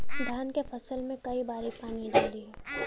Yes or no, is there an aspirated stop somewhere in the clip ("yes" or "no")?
no